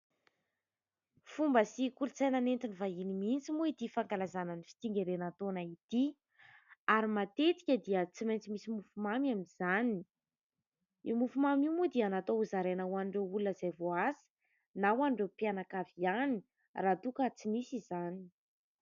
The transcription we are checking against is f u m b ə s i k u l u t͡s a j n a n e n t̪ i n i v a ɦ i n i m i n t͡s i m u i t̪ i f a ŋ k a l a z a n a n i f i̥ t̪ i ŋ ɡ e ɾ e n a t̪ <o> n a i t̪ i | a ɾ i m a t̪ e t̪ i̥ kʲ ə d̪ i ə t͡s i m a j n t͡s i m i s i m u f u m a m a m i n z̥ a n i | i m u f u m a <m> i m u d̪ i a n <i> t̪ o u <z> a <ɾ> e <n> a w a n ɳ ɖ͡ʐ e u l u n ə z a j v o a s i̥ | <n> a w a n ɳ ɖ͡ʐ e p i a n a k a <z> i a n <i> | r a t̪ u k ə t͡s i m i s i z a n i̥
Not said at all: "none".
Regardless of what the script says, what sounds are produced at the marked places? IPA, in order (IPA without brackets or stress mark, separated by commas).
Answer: o, m, a, z, ɾ, n, n, v, i